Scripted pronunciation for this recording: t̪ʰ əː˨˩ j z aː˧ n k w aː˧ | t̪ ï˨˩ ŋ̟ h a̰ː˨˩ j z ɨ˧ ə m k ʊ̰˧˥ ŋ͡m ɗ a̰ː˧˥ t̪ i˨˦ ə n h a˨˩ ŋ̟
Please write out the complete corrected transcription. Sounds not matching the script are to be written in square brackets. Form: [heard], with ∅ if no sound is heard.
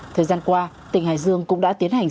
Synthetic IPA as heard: t̪ʰ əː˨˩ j z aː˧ n k w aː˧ | t̪ ï˨˩ ŋ̟ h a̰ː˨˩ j z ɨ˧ ə [ŋ] k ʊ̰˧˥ ŋ͡m ɗ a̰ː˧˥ t̪ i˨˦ ə n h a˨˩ ŋ̟